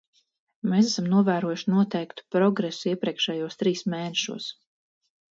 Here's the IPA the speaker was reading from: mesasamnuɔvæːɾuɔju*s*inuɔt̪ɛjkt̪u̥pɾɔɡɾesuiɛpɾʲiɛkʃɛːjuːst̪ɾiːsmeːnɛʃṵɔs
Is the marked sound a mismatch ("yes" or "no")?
yes